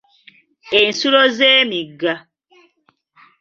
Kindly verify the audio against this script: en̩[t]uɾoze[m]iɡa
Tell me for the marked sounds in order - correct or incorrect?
incorrect, correct

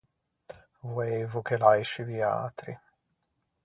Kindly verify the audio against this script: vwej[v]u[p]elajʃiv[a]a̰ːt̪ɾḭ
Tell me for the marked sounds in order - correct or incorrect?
correct, incorrect, incorrect

